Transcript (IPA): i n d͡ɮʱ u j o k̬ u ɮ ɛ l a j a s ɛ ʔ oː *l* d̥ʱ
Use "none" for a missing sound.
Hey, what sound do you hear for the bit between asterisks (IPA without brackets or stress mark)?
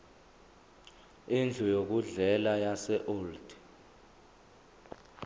l